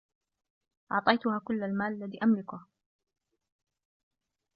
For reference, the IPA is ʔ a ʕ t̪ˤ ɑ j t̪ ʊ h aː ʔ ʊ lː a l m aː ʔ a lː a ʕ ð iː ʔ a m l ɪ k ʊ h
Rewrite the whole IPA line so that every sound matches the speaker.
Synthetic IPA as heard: ʔ ɑ ʕ t̪ˤ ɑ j t̪ ʊ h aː k ʊ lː a l m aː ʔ a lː a ð iː ʔ a m l ɪ k ʊ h